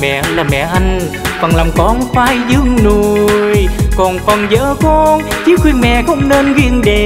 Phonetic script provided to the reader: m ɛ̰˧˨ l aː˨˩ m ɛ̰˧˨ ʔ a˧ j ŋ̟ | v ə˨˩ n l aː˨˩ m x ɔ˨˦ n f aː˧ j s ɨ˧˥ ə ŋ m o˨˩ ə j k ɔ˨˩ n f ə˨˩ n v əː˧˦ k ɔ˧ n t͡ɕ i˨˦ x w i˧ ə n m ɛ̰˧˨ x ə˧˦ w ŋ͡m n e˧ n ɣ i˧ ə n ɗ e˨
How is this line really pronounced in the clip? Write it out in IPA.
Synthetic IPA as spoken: m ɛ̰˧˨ l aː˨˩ m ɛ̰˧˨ ʔ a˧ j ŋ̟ | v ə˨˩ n l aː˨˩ m k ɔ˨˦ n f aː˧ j z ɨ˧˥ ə ŋ n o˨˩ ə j k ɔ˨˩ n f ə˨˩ n z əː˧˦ k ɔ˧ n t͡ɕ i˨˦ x w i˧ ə n m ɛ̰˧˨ x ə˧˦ w ŋ͡m n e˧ n ɣ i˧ ə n ɗ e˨

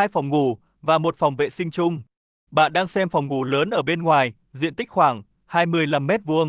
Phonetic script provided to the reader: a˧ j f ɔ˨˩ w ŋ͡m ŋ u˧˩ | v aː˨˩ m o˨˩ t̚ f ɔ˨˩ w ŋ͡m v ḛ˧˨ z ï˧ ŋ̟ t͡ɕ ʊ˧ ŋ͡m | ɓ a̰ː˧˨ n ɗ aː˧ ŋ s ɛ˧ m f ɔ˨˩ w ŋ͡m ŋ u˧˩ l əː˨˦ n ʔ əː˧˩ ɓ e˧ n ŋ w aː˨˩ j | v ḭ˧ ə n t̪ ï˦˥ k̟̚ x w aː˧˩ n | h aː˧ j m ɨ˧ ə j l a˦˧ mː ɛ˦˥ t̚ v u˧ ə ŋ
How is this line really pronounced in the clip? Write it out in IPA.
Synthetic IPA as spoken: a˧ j f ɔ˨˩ w ŋ͡m ŋ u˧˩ | v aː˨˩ m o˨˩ t̚ f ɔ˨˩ w ŋ͡m v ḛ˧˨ s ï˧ ŋ̟ t͡ɕ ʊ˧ ŋ͡m | ɓ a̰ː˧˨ n ɗ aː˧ ŋ s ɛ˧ m f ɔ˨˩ w ŋ͡m ŋ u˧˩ l əː˨˦ n ʔ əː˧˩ ɓ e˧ n ŋ w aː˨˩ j | z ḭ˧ ə n t̪ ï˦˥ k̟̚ x w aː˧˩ ŋ | h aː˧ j m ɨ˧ ə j l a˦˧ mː ɛ˦˥ t̚ v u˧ ə ŋ

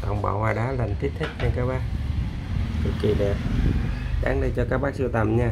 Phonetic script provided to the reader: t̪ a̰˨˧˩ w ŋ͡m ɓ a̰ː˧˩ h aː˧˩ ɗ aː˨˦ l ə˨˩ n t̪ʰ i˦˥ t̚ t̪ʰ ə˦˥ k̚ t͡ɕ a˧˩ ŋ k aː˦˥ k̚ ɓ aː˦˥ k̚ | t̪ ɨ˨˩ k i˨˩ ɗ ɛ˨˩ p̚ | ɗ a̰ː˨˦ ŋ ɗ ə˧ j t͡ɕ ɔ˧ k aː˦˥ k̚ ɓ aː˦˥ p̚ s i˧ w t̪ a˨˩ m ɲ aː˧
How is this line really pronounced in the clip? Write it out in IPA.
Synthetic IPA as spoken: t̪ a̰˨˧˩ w ŋ͡m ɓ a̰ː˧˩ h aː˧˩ ɗ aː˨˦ l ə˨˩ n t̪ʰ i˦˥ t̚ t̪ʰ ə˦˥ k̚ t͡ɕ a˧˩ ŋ k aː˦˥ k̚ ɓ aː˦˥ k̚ | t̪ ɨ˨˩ k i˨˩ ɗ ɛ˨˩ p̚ | ɗ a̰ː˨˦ ŋ ɗ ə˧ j t͡ɕ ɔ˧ k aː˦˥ k̚ ɓ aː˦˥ k̚ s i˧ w t̪ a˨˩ m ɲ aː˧

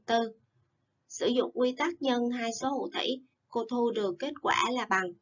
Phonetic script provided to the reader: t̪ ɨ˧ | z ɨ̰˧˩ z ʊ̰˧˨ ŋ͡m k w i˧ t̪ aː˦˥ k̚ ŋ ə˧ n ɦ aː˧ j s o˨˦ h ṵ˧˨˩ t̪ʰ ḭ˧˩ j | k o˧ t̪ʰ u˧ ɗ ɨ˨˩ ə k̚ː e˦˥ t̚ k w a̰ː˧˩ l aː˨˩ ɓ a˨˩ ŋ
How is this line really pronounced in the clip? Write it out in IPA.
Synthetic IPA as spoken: t̪ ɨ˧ | s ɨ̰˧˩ z ʊ̰˧˨ ŋ͡m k w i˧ t̪ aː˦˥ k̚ ɲ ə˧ n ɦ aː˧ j s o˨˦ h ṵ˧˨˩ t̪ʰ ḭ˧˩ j | k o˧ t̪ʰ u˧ ɗ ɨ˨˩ ə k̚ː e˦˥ t̚ k w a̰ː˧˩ l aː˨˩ ɓ a˨˩ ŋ

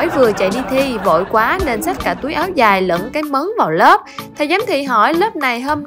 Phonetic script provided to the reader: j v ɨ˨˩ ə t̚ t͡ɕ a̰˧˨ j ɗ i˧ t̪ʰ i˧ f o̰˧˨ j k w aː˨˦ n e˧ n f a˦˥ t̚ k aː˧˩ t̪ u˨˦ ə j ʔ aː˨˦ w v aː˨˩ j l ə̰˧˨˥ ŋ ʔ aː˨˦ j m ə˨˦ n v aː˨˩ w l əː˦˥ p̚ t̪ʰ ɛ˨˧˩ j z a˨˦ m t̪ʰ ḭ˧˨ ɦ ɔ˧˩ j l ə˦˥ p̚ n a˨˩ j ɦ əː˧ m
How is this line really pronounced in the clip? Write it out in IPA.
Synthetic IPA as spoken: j v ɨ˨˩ ə t͡ɕ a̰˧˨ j ɗ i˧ t̪ʰ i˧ v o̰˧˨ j k w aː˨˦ n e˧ n s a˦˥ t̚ k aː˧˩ t̪ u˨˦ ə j ʔ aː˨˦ w z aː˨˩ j l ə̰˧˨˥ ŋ k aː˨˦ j m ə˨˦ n v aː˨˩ w l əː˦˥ p̚ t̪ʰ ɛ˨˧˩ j z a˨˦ m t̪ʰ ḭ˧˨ ɦ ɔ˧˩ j l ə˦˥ p̚ n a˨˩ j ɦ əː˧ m

